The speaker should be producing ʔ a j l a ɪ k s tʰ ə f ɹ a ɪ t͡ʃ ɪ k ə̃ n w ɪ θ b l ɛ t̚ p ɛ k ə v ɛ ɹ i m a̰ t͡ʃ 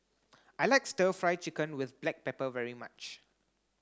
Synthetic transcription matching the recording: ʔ a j l a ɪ k s t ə f ɹ a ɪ t͡ʃ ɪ k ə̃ n w ɪ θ b l ɛ k̚ p ɛ p ə v ɛ ɹ i m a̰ t͡ʃ